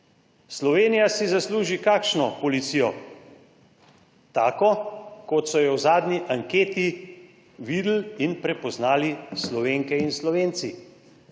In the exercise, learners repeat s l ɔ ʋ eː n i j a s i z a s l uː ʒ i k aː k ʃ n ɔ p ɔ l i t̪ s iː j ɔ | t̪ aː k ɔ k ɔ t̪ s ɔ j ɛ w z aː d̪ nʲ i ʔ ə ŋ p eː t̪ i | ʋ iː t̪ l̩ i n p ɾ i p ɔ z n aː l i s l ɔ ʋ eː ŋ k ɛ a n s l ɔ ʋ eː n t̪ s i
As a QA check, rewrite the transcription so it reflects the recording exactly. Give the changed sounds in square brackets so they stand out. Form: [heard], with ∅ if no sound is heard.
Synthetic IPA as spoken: s l ɔ ʋ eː n i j a s i z a s l uː ʒ i k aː k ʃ n ɔ p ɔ l i t̪ s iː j ɔ | t̪ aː k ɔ k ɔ t̪ s ɔ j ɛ w z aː d̪ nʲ i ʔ [a] ŋ [k] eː t̪ i | ʋ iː [d̪] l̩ i n p ɾ [ɛ] p ɔ z n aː l i s l ɔ ʋ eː ŋ k ɛ [i] n s l ɔ ʋ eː n t̪ s i